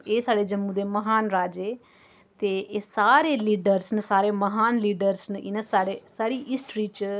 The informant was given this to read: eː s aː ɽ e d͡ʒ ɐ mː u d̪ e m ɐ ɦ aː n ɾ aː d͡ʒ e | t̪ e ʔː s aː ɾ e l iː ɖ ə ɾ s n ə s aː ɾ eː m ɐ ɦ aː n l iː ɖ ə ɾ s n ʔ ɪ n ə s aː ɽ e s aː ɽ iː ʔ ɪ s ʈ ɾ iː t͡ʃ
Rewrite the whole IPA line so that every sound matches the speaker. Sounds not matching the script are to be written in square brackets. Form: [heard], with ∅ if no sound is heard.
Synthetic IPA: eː s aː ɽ e d͡ʒ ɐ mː u d̪ e m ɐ ɦ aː n ɾ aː d͡ʒ e | t̪ e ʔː s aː ɾ e l iː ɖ ə ɾ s n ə s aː ɾ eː m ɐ ɦ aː n l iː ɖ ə ɾ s n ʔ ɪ n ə s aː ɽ e s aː ɽ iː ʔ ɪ s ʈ ɾ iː t͡ʃ